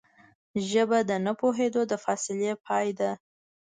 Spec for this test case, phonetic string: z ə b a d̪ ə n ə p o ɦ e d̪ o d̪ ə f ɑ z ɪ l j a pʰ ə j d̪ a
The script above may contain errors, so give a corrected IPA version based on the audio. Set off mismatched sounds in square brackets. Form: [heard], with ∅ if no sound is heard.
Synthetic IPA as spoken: [ʒ] ə b a d̪ ə n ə p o ɦ e d̪ o d̪ ə f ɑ [s] ɪ l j [e] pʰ [ɑ] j d̪ a